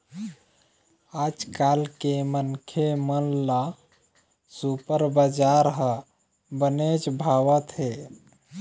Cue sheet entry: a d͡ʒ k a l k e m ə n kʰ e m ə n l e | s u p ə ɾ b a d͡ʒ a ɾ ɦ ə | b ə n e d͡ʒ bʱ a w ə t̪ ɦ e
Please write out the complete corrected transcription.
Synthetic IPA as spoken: a d͡ʒ k a l k e m ə n kʰ e m ə n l a | s u p ə ɾ b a d͡ʒ a ɾ ɦ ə | b ə n e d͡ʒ bʱ a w ə t̪ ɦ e